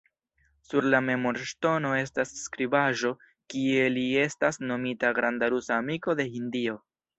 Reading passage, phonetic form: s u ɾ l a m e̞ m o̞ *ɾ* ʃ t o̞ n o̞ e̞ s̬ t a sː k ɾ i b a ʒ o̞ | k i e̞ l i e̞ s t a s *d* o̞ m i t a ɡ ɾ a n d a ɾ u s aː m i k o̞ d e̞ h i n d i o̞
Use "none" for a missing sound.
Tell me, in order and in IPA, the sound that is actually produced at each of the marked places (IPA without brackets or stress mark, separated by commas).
ɾ, n